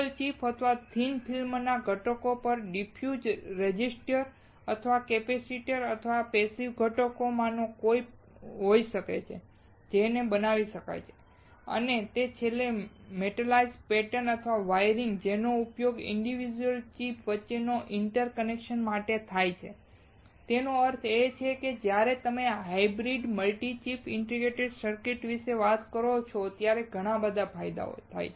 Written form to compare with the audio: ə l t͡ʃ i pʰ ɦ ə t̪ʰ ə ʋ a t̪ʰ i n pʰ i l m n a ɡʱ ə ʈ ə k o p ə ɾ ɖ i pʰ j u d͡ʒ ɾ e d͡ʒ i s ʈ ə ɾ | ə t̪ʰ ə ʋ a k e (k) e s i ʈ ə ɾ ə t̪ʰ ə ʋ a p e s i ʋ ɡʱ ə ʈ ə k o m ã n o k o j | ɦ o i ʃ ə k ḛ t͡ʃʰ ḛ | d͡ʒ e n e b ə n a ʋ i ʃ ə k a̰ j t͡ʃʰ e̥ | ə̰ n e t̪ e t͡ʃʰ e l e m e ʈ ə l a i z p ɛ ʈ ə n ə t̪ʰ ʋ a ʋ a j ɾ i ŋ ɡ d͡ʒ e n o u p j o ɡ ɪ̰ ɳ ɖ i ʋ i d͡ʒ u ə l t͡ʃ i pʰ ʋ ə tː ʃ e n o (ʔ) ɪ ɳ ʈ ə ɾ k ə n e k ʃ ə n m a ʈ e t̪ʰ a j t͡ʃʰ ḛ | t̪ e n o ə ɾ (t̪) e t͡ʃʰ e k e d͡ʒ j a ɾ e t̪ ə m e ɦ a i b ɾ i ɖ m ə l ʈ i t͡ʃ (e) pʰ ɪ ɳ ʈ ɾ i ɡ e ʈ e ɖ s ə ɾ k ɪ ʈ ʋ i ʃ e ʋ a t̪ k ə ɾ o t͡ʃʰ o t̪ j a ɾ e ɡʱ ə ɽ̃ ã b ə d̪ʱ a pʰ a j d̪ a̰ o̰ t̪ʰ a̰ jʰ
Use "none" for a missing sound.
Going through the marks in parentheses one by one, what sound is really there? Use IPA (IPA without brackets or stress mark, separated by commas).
p, ʔ, t̪ʰ, i